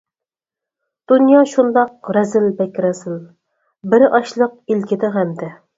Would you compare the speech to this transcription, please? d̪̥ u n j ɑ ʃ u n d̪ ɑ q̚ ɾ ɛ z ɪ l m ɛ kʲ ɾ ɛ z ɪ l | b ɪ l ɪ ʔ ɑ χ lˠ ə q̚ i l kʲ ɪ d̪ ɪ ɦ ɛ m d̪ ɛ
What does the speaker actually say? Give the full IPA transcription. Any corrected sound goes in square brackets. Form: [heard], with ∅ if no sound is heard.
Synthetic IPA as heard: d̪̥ u n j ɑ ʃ u n d̪ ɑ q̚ ɾ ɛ z ɪ l [b] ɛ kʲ ɾ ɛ z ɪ l | b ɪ [ɾ] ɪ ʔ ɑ [ʃ] lˠ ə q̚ i l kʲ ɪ d̪ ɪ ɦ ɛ m d̪ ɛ